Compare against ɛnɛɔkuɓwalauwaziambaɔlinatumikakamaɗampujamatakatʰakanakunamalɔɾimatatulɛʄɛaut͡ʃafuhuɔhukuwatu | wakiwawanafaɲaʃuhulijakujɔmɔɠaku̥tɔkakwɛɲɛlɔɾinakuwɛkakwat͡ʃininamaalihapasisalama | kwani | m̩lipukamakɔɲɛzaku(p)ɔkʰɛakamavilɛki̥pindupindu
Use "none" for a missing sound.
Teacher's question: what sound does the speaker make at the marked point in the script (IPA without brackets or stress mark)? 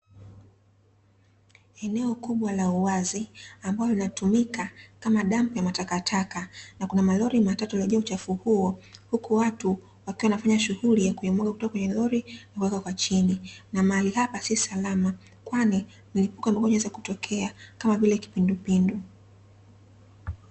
t